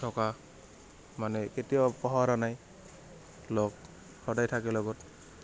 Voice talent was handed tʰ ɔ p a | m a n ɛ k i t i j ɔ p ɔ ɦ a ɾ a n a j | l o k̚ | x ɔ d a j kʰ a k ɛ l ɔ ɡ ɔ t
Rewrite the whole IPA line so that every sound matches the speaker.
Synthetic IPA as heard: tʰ ɔ k a | m a n ɛ k e t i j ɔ p ɔ ɦ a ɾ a n a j | l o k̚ | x ɔ d a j tʰ a k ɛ l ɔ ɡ ɔ t